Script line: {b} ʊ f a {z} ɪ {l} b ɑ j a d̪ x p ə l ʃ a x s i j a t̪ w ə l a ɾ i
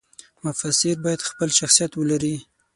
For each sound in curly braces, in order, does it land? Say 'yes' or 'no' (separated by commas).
no, no, no